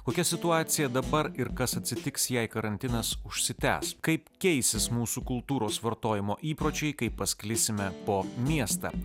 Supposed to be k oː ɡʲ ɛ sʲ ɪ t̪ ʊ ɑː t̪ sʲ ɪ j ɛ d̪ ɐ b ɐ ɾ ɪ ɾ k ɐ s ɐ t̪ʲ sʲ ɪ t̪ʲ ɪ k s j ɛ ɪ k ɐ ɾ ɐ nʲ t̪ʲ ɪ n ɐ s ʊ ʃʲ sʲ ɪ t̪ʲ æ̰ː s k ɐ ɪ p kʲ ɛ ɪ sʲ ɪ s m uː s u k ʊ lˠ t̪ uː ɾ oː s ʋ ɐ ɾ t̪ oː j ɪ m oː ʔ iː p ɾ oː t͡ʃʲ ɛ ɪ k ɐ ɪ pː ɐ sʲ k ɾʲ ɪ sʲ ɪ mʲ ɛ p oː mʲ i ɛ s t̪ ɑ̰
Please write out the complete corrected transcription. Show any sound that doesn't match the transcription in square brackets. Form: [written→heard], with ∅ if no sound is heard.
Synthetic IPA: k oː [ɡʲ→kʲ] ɛ sʲ ɪ t̪ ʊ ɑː t̪ sʲ ɪ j ɛ d̪ ɐ b ɐ ɾ ɪ ɾ k ɐ s ɐ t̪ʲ sʲ ɪ t̪ʲ ɪ k s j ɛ ɪ k ɐ ɾ ɐ nʲ t̪ʲ ɪ n ɐ s ʊ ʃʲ sʲ ɪ t̪ʲ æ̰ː s k ɐ ɪ p kʲ ɛ ɪ sʲ ɪ s m uː s u k ʊ lˠ t̪ uː ɾ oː s ʋ ɐ ɾ t̪ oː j ɪ m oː ʔ iː p ɾ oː t͡ʃʲ ɛ ɪ k ɐ ɪ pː ɐ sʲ k [ɾʲ→lʲ] ɪ sʲ ɪ mʲ ɛ p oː mʲ i ɛ s t̪ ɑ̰

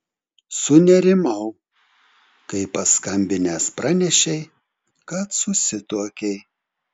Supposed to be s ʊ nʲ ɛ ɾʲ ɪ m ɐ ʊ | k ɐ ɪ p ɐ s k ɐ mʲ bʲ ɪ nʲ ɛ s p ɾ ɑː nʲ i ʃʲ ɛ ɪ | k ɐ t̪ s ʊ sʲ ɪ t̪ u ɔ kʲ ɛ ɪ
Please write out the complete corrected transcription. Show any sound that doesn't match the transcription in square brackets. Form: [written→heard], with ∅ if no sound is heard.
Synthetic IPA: s ʊ nʲ ɛ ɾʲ ɪ m ɐ ʊ | k ɐ ɪ p ɐ s k ɐ mʲ bʲ ɪ nʲ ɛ s p ɾ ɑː nʲ [i→ɛ] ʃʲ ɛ ɪ | k ɐ t̪ s ʊ sʲ ɪ t̪ u ɔ kʲ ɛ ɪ

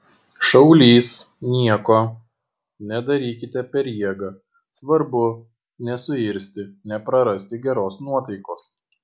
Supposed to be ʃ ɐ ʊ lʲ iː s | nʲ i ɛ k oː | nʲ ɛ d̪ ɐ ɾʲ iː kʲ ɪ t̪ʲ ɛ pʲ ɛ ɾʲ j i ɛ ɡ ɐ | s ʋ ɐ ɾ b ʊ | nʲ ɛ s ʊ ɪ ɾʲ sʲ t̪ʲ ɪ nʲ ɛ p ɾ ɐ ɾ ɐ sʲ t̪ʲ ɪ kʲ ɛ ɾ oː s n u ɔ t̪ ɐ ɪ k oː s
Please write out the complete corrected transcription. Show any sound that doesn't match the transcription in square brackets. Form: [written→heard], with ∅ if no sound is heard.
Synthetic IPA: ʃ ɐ ʊ lʲ iː s | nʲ i ɛ k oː | nʲ ɛ d̪ ɐ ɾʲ iː kʲ ɪ t̪ʲ ɛ pʲ ɛ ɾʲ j i ɛ ɡ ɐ | s ʋ ɐ ɾ b ʊ | nʲ ɛ s ʊ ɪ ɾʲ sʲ t̪ʲ ɪ nʲ ɛ p ɾ ɐ ɾ ɐ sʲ t̪ʲ ɪ [kʲ→ɡʲ] ɛ ɾ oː s n u ɔ t̪ ɐ ɪ k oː s

